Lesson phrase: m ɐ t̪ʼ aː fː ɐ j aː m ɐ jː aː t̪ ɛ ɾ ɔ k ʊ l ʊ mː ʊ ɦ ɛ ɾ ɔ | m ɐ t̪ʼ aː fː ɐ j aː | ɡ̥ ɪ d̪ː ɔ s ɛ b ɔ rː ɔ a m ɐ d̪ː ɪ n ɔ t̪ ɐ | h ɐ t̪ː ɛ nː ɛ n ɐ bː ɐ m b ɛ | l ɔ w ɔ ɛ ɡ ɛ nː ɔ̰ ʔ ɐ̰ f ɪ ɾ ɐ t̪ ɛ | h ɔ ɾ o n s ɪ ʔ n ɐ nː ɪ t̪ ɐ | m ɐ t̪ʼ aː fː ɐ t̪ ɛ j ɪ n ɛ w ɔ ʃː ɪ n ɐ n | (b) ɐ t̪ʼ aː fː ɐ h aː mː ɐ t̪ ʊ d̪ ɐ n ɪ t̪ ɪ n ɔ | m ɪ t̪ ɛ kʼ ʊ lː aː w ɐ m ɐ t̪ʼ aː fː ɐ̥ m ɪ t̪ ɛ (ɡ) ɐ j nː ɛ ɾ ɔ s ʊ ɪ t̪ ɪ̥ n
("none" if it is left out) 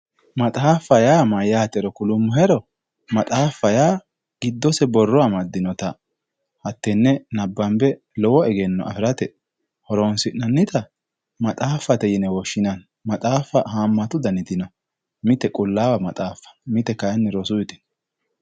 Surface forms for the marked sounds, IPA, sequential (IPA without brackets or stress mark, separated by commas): m, k